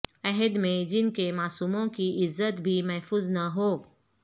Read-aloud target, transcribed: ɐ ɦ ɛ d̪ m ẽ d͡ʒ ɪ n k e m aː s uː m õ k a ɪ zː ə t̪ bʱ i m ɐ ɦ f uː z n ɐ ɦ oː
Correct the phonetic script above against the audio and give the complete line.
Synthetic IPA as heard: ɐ ɦ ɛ d̪ m ẽ d͡ʒ ɪ n k e m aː s uː m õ k i ɪ zː ə t̪ bʱ i m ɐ ɦ f uː z n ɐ ɦ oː